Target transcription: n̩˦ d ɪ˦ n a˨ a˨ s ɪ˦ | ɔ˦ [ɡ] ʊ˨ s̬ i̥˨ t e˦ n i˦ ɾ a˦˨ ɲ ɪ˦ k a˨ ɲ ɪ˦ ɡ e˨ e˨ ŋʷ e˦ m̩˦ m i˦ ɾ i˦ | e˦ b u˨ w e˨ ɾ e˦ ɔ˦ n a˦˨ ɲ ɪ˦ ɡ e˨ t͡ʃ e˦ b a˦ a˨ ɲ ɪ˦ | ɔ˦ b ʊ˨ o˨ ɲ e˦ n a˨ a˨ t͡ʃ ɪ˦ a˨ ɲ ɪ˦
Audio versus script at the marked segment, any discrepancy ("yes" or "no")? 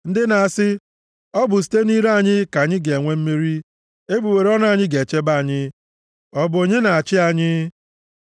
yes